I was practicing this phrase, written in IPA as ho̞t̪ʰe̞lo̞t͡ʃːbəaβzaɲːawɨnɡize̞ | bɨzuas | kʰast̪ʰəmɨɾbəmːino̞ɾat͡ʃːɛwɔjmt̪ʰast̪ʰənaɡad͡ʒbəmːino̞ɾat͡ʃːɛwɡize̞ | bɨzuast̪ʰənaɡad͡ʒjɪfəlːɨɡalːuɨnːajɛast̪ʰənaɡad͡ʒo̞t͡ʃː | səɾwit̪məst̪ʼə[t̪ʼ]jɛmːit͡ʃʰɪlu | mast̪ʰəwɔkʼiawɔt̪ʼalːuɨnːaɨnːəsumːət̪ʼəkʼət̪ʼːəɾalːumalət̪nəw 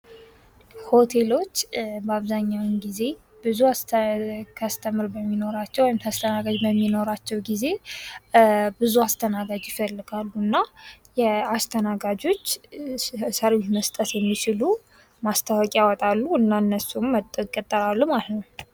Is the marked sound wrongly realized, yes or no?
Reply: yes